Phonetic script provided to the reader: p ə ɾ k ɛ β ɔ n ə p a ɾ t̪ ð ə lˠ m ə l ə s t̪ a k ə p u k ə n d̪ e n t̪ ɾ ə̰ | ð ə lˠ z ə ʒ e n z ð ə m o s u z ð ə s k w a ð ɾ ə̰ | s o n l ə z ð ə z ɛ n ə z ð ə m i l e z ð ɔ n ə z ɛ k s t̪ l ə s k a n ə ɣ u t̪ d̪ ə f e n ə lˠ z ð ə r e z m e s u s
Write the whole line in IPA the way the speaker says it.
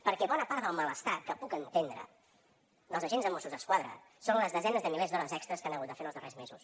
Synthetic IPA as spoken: p ə ɾ k ɛ β ɔ n ə p a ɾ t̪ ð ə lˠ m ə l ə s t̪ a k ə p u k ə n t̪ e n d̪ ɾ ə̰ | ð ə lˠ z ə ʒ e n z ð ə m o s u z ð ə s k w a ð ɾ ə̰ | s o n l ə z ð ə z ɛ n ə z ð ə m i l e z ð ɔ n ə z ɛ k s t̪ ɾ ə s k a n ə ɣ u t̪ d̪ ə f e n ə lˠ z ð ə r e z m e z u s